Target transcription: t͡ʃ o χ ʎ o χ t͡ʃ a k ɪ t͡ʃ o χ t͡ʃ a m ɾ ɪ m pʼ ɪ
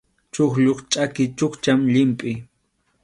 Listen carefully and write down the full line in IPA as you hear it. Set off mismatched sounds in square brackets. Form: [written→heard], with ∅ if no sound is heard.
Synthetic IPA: t͡ʃ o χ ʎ o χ [t͡ʃ→t͡ʃʼ] a k ɪ t͡ʃ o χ t͡ʃ a m [ɾ→ʎ] ɪ m pʼ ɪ